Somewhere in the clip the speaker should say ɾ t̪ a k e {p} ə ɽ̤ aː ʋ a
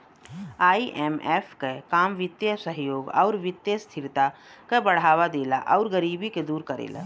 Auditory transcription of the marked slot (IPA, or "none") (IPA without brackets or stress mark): b